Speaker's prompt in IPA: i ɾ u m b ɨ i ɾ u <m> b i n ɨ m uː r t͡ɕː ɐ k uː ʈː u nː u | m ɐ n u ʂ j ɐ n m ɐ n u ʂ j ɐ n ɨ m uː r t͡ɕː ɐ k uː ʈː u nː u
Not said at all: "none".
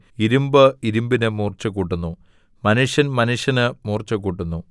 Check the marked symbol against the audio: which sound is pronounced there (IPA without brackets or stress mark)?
m